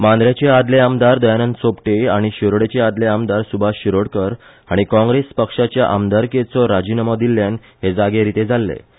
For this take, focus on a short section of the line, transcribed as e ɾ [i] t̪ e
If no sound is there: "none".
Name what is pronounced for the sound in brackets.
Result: i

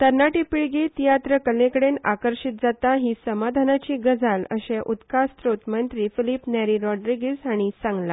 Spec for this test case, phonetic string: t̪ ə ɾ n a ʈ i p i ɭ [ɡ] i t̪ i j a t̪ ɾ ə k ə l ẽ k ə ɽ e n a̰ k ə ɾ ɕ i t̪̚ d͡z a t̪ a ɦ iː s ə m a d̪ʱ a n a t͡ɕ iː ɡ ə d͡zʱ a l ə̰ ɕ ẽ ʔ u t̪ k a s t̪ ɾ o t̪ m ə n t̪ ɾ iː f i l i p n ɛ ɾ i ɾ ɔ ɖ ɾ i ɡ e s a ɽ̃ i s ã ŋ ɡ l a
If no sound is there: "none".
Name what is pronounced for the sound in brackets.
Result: ɡ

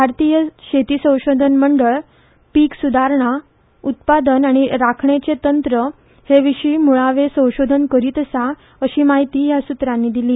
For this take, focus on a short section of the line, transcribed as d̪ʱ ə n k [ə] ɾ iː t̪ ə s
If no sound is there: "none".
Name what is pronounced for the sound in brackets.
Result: ə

